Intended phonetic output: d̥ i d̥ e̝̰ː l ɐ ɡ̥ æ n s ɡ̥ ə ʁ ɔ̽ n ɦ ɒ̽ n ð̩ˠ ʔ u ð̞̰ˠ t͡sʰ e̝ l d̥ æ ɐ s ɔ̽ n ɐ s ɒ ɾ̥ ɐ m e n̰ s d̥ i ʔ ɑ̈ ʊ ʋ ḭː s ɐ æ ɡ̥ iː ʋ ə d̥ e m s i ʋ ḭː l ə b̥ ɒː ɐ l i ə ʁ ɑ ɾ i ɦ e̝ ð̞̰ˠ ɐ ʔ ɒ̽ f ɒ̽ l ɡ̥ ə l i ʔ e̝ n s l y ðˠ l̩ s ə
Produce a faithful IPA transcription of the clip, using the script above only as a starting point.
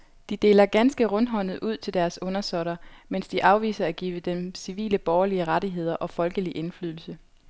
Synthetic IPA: d̥ i d̥ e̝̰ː l ɐ ɡ̥ æ n s ɡ̥ ə ʁ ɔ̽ n ɦ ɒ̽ n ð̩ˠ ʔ u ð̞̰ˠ t͡sʰ e̝ l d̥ æ ɐ s ɔ̽ n ɐ s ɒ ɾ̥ ɐ m e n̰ s d̥ i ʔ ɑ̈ ʊ ʋ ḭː s ɐ æ ɡ̥ iː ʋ ə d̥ e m s i ʋ ḭː l ə b̥ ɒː ɐ l i ə ʁ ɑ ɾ i ɦ e̝ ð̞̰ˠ ɐ ʔ ɒ̽ f ɒ̽ l ɡ̥ ə l i ʔ e̝ n f l y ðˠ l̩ s ə